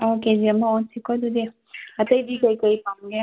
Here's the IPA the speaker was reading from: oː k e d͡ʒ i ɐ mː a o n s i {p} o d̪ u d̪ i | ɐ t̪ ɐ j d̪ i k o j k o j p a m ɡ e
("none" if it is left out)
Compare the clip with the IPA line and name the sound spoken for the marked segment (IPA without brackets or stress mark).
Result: k